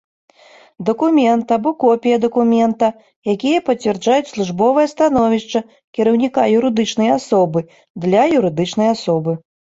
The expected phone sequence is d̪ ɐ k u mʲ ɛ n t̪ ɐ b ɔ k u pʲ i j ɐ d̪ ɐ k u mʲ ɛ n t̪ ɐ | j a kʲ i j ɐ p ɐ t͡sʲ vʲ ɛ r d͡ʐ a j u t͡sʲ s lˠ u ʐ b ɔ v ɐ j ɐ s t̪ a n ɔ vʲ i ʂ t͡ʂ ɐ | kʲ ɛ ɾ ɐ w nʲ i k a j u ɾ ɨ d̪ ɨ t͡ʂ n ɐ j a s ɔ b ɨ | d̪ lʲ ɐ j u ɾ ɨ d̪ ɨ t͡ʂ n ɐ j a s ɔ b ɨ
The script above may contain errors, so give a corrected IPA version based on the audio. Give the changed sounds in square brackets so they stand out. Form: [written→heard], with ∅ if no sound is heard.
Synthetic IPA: d̪ ɐ k u mʲ ɛ n t̪ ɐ b ɔ k [u→ɔ] pʲ i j ɐ d̪ ɐ k u mʲ ɛ n t̪ ɐ | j a kʲ i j ɐ p ɐ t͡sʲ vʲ ɛ r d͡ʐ a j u t͡sʲ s lˠ u ʐ b ɔ v ɐ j ɐ s t̪ a n ɔ vʲ i ʂ t͡ʂ ɐ | kʲ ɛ ɾ ɐ w nʲ i k a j u ɾ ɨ d̪ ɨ t͡ʂ n ɐ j a s ɔ b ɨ | d̪ lʲ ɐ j u ɾ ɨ d̪ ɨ t͡ʂ n ɐ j a s ɔ b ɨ